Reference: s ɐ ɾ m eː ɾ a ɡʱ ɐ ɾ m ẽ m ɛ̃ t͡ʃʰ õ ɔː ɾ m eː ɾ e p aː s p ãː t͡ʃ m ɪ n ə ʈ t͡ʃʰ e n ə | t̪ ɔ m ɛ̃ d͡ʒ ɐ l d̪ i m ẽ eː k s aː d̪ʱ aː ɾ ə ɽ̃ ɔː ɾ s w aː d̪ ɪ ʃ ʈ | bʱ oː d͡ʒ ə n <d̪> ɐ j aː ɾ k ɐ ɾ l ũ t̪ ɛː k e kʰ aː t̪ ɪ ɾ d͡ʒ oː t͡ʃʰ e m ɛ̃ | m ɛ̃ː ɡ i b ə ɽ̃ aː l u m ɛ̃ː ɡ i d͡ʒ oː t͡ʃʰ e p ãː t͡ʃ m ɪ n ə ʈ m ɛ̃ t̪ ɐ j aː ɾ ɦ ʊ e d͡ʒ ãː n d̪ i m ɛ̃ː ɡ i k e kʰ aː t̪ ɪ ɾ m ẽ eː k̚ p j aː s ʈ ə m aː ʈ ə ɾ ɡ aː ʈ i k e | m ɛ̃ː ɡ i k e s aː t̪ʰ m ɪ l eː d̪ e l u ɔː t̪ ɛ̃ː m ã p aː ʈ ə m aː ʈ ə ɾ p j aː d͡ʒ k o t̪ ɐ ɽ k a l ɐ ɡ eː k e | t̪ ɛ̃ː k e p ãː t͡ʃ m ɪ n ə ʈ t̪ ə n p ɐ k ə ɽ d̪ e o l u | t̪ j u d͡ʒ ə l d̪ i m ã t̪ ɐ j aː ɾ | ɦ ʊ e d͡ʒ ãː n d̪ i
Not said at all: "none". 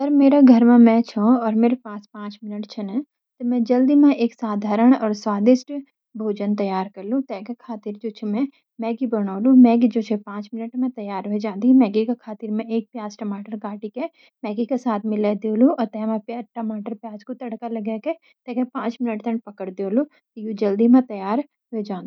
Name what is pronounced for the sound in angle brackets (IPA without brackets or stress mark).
t̪